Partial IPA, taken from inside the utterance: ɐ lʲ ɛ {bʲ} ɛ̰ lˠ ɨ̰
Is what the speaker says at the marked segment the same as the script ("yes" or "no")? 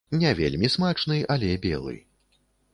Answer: yes